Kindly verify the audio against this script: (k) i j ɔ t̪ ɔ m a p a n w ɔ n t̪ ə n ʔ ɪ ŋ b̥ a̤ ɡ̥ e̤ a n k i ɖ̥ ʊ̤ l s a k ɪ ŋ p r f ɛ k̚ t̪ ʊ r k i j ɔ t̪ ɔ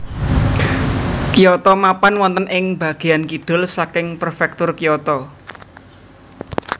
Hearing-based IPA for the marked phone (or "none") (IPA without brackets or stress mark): k